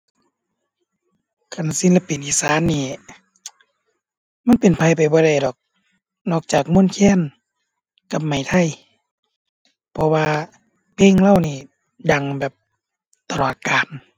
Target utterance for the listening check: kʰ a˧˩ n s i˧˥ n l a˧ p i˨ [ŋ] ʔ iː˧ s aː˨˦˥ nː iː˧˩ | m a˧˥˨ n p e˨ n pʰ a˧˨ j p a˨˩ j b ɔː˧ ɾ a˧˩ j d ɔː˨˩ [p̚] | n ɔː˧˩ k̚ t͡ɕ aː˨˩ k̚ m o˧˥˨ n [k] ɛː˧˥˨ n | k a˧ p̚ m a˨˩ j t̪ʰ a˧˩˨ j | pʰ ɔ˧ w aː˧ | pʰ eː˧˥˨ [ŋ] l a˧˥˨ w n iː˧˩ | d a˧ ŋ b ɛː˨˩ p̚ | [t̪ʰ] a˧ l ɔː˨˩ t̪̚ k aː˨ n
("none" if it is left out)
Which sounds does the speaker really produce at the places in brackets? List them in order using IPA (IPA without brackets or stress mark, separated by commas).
n, k̚, kʰ, ŋ, t̪